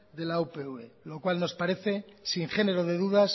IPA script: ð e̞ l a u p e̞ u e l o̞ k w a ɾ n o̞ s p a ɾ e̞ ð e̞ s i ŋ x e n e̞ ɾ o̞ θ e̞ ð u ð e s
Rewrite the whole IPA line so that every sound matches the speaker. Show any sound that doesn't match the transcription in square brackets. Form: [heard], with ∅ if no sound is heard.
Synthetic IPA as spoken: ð e̞ l a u p e̞ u e l o̞ k w a [l] n o̞ s p a ɾ e̞ [θ] e̞ s i ŋ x e n e̞ ɾ o̞ [ð] e̞ ð u ð [a] s